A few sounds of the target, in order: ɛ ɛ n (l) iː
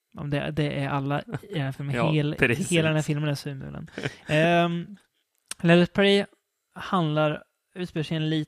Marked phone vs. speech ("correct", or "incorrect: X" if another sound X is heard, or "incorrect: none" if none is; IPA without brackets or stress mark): correct